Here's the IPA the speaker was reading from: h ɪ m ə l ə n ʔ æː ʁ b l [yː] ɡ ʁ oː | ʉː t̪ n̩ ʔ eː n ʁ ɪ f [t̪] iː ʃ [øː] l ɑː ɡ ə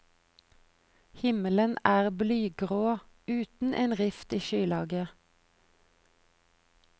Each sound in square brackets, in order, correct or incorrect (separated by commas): correct, correct, incorrect